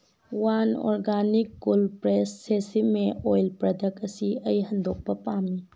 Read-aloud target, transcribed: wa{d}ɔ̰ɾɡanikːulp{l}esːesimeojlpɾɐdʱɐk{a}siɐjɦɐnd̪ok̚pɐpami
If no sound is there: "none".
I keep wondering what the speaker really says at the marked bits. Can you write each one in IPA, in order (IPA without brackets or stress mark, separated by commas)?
n, ɾ, ɐ